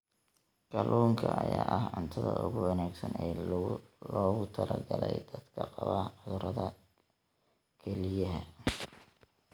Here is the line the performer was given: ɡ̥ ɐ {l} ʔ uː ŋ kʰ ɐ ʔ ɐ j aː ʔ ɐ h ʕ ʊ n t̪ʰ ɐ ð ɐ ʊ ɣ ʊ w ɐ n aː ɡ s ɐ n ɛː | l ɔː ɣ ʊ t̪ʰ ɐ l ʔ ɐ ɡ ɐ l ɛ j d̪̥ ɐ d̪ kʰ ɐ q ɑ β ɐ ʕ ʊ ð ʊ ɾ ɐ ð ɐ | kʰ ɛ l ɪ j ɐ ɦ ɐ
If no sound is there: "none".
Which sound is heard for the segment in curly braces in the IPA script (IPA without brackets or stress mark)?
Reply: l